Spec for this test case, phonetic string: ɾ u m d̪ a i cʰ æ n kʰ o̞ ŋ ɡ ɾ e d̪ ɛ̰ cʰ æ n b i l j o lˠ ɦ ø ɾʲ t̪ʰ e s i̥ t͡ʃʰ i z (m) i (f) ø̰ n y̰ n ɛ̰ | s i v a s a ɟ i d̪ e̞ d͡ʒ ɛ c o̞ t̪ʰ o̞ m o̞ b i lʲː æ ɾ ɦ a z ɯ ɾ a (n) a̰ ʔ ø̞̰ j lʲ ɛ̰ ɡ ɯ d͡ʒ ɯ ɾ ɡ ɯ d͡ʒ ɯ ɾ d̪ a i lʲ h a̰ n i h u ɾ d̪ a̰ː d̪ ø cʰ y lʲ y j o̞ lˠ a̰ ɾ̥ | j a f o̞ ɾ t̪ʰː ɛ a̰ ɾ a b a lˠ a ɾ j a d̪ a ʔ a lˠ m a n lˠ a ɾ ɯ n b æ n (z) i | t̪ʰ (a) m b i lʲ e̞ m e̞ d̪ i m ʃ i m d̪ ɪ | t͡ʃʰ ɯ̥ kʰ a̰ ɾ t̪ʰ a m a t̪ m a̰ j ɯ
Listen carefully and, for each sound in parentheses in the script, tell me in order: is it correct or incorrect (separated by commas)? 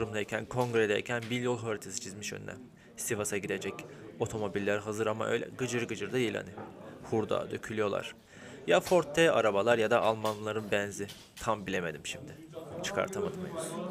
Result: correct, incorrect, incorrect, correct, correct